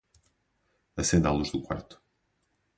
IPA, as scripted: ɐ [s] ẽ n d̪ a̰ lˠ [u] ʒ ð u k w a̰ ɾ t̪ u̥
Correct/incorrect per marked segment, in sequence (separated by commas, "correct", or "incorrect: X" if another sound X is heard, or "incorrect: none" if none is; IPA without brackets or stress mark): correct, correct